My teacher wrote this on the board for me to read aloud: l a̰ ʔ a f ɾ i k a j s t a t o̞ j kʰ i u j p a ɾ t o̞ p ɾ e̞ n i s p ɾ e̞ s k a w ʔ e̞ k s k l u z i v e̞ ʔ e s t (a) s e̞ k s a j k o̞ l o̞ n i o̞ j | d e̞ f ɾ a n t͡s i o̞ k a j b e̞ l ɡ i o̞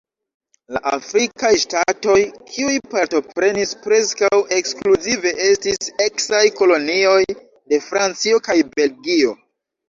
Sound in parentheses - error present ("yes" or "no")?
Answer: yes